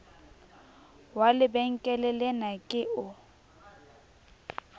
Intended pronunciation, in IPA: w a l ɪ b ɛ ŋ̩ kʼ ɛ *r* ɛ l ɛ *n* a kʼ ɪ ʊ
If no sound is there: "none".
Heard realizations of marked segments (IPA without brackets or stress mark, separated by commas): l, n